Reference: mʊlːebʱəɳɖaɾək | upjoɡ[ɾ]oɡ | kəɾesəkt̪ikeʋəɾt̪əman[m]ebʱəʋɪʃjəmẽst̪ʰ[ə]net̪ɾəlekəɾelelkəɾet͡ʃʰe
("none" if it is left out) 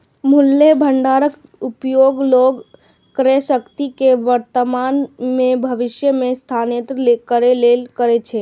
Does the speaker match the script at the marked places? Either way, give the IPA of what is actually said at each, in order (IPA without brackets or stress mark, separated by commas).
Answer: l, m, a